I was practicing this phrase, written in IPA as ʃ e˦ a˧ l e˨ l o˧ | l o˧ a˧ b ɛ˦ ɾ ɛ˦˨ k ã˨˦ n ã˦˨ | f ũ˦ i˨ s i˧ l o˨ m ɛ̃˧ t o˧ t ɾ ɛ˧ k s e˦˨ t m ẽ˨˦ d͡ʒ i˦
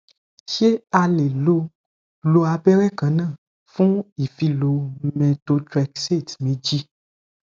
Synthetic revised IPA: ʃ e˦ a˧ l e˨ l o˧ | l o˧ a˧ b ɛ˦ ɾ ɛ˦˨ k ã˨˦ n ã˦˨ | f ũ˦ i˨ f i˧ l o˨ m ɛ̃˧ t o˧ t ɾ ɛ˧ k s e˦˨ t m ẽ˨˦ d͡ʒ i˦